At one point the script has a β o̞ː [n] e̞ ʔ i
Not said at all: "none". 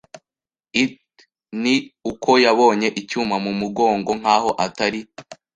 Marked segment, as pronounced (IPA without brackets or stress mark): ɲ